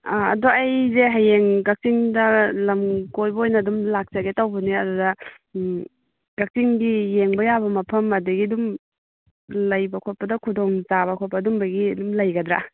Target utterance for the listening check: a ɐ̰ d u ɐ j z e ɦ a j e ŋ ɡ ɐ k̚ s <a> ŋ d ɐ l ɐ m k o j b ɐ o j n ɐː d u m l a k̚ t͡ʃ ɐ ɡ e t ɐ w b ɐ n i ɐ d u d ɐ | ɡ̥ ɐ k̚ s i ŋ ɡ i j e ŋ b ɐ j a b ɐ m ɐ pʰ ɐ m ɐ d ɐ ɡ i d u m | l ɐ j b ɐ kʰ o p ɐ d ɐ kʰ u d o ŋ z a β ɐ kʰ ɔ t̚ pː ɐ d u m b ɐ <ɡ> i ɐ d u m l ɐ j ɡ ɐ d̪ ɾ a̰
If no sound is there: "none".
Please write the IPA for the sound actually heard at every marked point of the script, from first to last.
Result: i, ɡ

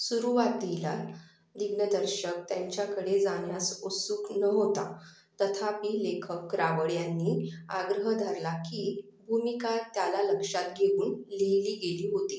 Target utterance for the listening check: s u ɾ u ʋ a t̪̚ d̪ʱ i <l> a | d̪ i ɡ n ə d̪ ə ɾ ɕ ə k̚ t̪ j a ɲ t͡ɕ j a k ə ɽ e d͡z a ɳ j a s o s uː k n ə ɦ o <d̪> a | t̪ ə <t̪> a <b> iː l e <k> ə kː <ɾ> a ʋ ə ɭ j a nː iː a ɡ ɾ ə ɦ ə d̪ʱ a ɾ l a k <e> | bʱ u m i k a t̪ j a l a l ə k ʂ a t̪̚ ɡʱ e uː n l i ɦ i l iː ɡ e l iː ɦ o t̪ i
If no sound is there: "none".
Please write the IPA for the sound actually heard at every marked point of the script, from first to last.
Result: l, t̪, t̪ʰ, p, kʰ, ɾ, i

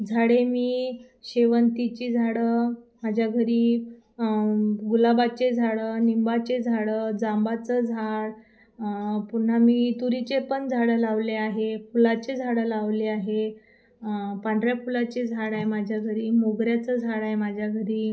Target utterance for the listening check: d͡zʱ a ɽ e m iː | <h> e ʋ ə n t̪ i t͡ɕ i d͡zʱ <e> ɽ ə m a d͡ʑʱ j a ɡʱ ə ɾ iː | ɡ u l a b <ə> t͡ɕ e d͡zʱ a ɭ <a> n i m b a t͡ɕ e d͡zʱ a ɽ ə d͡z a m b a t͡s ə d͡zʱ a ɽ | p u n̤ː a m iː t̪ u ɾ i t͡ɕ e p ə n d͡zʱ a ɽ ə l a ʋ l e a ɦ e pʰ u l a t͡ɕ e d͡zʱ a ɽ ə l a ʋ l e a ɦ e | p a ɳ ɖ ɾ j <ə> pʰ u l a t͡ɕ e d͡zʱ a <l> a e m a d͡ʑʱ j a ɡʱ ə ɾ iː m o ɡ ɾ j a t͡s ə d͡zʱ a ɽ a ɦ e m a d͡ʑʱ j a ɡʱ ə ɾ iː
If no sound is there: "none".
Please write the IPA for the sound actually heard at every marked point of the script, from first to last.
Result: ɕ, a, a, ə, a, ɽ

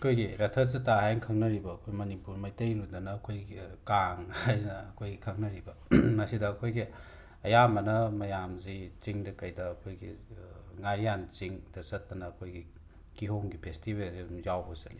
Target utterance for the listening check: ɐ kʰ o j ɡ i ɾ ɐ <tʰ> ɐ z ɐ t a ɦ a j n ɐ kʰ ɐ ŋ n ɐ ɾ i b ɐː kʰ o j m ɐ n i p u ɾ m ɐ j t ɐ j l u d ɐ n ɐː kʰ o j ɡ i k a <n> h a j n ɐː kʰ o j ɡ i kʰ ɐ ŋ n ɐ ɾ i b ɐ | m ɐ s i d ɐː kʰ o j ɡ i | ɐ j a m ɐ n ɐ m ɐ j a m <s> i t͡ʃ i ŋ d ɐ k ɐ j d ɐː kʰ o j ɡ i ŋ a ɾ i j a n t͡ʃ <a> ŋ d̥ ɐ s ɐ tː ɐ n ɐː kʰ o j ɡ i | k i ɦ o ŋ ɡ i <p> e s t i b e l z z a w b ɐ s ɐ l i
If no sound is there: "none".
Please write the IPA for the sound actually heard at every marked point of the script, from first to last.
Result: tʰ, ŋ, z, i, pʰ

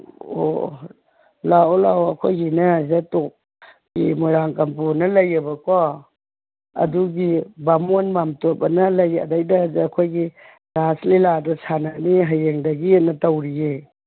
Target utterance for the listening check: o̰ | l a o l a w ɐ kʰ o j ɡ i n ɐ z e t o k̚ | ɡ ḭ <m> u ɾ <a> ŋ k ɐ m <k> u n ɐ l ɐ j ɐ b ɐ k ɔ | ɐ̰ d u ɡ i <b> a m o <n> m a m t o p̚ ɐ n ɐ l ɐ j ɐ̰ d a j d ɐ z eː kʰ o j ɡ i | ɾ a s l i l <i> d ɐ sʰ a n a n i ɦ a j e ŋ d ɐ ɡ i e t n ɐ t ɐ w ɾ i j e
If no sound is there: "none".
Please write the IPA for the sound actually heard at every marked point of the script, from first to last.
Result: m, a, p, b, n, a

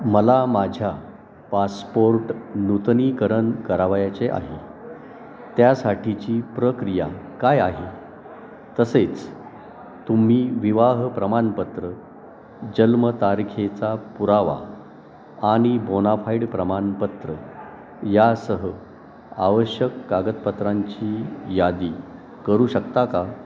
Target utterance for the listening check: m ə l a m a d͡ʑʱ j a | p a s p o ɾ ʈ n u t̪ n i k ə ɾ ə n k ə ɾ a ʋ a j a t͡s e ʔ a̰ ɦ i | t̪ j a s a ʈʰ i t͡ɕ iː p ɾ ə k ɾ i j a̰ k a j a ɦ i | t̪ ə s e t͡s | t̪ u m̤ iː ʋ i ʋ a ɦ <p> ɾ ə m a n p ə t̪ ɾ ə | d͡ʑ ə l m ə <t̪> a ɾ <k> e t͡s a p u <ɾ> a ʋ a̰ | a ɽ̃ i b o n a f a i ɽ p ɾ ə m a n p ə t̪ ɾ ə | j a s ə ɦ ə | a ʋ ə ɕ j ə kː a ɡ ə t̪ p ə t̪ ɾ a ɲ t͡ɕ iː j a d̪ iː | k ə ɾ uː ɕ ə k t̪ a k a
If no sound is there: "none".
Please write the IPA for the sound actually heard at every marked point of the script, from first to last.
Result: p, t̪, kʰ, ɾ

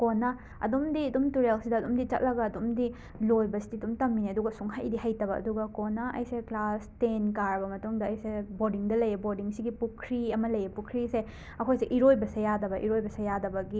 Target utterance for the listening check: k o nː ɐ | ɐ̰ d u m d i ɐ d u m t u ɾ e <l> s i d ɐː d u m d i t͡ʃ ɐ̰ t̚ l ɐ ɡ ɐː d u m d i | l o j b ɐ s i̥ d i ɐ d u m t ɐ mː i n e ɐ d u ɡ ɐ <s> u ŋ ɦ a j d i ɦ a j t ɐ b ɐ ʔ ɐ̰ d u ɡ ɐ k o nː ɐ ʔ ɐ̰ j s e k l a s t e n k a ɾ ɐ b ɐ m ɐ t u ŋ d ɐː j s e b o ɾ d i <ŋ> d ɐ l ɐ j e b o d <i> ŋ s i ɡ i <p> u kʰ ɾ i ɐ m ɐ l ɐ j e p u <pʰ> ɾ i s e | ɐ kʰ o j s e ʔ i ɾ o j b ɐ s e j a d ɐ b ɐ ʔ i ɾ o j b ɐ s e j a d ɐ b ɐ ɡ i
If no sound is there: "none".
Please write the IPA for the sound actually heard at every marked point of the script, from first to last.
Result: l, s, ŋ, i, p, kʰ

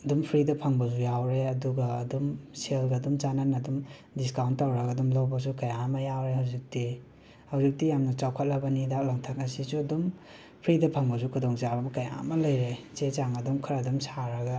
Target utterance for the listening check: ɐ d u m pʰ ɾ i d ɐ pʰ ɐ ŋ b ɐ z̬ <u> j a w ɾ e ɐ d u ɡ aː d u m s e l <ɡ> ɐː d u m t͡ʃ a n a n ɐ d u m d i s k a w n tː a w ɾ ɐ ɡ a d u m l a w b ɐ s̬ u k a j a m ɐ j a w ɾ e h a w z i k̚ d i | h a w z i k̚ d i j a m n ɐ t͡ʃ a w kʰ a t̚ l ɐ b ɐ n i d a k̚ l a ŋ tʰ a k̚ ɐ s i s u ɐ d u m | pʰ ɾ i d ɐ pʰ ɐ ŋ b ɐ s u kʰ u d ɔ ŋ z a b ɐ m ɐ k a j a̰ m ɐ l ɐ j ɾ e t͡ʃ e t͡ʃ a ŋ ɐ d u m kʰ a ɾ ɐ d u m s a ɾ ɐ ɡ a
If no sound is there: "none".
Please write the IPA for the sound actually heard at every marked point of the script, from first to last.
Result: u, ɡ

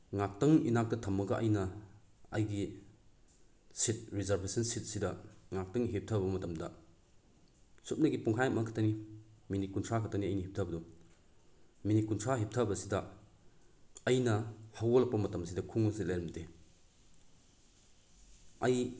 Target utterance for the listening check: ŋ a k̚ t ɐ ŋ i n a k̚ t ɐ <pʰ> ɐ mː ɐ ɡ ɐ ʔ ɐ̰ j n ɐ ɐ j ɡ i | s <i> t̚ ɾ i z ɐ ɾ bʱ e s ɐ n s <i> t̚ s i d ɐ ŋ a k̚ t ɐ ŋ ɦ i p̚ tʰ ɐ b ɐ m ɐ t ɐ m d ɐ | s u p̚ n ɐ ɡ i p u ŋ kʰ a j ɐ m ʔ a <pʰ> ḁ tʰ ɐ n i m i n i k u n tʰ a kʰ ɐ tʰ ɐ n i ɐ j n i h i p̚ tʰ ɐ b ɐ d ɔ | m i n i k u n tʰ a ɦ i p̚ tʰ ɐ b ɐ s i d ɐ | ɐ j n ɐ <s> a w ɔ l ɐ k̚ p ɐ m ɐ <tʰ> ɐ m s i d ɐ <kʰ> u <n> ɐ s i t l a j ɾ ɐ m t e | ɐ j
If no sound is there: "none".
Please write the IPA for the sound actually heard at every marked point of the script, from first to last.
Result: tʰ, i, i, kʰ, h, t, kʰ, ŋ

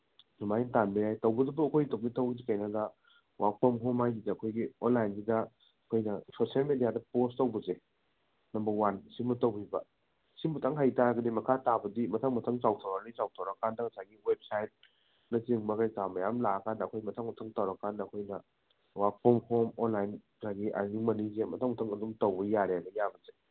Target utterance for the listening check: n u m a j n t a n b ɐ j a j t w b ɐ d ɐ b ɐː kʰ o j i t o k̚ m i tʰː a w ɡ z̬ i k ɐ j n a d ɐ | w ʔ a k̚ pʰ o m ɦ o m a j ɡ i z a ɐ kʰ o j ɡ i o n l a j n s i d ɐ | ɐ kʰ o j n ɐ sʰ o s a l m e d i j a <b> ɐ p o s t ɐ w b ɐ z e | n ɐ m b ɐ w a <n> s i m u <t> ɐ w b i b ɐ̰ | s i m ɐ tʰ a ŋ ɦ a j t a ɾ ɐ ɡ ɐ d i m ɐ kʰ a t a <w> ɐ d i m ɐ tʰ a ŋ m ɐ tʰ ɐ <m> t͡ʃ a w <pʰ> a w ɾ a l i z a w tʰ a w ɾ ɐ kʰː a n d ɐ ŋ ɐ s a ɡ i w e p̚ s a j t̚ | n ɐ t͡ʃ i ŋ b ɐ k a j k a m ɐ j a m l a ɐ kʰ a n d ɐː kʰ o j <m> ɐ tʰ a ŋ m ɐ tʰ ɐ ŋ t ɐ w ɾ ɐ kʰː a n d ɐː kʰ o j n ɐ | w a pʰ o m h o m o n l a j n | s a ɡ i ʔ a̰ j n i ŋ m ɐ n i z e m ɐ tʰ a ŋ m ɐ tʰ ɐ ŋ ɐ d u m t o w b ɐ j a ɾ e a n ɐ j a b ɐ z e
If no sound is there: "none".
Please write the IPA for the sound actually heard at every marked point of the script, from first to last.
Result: d, n, t, b, ŋ, tʰ, m

